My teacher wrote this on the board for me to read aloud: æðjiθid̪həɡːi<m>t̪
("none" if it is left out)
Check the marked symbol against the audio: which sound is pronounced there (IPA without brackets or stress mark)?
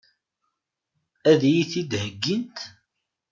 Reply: n